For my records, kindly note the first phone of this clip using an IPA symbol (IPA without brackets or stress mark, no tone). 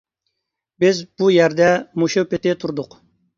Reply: b